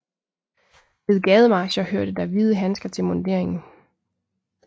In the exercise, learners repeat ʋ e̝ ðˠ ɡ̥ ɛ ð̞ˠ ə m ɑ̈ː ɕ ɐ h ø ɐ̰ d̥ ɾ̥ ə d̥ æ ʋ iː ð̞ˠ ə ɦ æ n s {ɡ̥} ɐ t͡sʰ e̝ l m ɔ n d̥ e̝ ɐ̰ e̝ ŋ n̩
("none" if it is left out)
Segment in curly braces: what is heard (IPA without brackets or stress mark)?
ɡ̥